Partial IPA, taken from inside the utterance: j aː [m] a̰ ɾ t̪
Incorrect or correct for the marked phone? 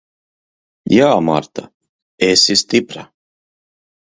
correct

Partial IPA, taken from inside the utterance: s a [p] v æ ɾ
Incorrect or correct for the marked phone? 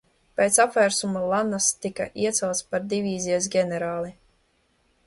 correct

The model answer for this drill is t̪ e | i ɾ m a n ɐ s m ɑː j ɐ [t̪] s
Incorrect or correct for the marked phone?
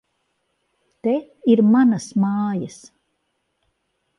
incorrect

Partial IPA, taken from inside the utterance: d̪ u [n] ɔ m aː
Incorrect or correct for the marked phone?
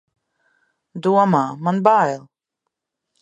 incorrect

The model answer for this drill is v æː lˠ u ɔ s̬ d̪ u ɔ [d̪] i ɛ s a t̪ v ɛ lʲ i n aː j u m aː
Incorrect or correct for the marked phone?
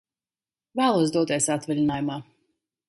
incorrect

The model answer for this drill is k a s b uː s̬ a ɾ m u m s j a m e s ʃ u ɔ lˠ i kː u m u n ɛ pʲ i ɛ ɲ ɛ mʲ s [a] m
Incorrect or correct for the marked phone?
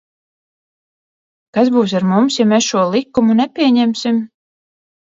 incorrect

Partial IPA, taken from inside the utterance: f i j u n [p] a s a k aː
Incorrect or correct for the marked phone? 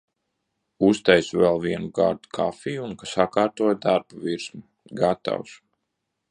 incorrect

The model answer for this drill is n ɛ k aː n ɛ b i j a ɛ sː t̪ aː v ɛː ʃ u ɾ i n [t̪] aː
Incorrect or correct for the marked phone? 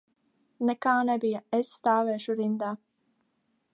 incorrect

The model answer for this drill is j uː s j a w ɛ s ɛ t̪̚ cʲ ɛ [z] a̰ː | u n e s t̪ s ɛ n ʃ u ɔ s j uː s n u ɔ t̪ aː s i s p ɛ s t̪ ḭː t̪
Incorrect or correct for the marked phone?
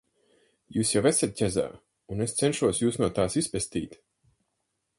correct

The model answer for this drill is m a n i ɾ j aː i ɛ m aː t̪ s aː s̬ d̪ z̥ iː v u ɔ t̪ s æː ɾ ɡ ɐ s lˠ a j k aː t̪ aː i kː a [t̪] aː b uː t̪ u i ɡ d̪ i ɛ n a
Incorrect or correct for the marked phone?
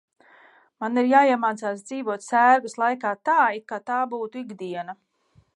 correct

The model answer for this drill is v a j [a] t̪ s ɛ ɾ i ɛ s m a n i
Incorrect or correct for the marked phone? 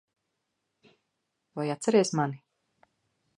correct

